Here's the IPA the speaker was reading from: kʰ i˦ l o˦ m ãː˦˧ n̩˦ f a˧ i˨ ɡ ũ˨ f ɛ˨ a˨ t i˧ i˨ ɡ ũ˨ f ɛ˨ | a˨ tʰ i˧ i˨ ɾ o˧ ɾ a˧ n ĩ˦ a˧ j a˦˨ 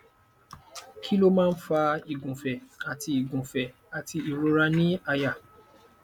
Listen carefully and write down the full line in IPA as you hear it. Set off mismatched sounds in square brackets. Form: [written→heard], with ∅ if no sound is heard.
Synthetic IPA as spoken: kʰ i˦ l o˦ m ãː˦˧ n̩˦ f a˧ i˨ ɡ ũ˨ f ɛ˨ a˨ t i˧ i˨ ɡ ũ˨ f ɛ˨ | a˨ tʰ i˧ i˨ ɾ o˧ ɾ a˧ n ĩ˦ a˧ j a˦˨